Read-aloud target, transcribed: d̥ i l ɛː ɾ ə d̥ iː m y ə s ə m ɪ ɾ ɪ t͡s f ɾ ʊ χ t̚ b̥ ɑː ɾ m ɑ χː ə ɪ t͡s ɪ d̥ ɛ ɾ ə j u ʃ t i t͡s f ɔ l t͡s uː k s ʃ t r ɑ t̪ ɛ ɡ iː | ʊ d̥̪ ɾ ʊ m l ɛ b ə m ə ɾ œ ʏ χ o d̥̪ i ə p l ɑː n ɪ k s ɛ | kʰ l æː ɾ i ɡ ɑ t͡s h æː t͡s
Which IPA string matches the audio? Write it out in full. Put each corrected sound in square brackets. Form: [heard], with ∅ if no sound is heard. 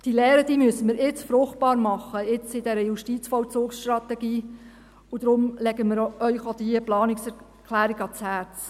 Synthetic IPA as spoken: d̥ i l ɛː ɾ ə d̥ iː m y ə s ə m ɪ ɾ ɪ t͡s f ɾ ʊ χ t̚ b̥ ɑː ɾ m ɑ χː ə ɪ t͡s ɪ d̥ ɛ ɾ ə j u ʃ t i t͡s f ɔ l t͡s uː k s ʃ t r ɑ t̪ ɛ ɡ iː | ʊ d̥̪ ɾ ʊ m l ɛ [ɡ] ə m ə ɾ œ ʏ χ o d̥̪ i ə p l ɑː n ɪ k s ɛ | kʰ l æː ɾ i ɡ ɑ t͡s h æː t͡s